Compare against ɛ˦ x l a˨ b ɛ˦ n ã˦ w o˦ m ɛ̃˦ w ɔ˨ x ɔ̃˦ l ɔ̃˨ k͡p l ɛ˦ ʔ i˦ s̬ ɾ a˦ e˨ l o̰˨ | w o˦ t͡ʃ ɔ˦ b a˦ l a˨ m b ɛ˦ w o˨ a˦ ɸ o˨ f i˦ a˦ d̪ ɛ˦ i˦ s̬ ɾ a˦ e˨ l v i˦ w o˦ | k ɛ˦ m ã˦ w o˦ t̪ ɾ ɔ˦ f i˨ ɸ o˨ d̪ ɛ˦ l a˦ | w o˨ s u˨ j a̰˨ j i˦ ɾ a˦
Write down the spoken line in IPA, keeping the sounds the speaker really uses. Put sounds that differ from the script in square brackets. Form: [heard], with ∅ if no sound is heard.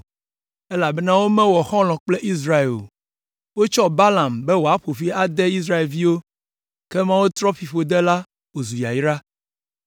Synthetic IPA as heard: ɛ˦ [∅] l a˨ b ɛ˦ n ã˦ w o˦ m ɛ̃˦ w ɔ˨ x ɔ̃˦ l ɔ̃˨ k͡p l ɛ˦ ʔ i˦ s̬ ɾ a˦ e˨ l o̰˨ | w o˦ t͡ʃ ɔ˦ b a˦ l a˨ m b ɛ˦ w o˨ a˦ ɸ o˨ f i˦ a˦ d̪ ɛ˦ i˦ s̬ ɾ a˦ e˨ l v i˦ w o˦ | k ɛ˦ m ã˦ w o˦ t̪ ɾ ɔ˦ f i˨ ɸ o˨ d̪ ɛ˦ l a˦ | w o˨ [z] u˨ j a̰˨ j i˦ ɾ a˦